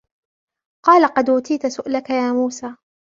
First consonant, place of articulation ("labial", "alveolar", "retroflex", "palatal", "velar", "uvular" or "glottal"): uvular